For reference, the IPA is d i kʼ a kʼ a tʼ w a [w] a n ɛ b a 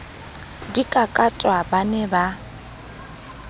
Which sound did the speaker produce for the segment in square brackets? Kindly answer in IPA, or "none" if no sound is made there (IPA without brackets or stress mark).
b